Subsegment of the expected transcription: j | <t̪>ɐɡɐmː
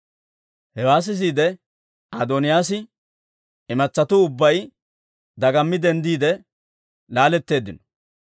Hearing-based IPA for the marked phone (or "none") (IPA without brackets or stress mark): d̪